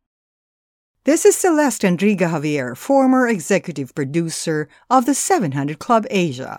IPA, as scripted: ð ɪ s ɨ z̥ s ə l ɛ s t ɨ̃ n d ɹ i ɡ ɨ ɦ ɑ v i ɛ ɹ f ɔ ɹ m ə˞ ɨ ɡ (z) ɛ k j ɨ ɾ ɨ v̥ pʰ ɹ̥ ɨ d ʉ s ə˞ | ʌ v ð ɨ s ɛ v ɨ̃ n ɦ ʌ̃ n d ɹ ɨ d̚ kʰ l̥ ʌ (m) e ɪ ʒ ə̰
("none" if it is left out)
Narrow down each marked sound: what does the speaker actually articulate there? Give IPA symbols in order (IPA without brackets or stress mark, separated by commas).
z, b